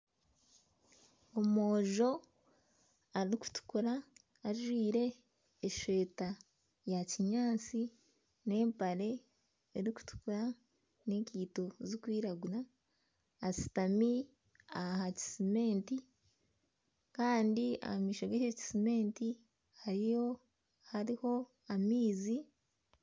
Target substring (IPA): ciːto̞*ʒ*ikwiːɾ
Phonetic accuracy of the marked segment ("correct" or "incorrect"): incorrect